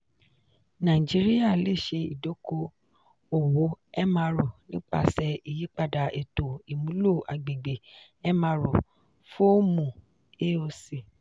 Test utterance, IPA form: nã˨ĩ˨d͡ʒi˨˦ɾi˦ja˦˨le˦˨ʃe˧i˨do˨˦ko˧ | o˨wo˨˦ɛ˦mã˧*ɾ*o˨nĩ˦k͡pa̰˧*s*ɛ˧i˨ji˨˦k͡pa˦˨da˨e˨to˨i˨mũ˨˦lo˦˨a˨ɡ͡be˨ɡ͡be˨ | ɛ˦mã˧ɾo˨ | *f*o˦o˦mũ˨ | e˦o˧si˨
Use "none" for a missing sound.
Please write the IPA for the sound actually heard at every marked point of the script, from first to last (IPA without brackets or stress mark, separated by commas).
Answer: ɾ, s, f